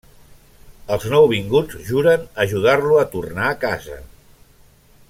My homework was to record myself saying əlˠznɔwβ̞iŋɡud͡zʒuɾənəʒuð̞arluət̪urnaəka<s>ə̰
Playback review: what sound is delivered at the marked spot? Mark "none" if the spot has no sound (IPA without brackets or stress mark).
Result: z